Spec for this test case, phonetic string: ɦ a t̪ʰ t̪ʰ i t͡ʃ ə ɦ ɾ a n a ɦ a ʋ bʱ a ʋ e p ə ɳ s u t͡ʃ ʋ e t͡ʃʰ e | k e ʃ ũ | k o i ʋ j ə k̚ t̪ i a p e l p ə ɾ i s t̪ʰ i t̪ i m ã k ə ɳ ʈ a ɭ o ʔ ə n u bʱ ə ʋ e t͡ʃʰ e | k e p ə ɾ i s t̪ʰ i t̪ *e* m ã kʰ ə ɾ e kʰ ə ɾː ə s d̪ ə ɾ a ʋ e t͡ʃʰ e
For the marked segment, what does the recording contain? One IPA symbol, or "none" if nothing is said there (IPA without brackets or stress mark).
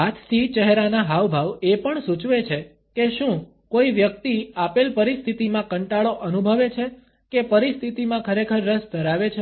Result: i